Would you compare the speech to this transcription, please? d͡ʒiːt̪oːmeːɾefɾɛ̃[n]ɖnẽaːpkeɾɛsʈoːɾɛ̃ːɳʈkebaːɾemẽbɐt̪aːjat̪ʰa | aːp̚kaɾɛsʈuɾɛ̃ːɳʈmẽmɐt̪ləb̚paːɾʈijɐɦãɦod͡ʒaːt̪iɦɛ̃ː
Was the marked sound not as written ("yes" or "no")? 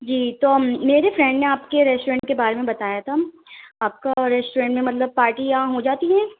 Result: yes